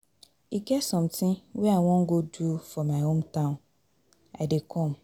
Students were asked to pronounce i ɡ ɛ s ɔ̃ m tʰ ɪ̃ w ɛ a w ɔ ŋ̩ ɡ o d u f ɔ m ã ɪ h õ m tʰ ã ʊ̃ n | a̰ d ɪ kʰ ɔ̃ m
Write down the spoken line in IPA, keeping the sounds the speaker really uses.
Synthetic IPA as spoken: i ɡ ɛ s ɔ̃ m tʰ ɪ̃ w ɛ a w ɔ̃ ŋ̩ ɡ o d u f ɔ m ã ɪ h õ m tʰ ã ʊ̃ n | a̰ d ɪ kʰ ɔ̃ m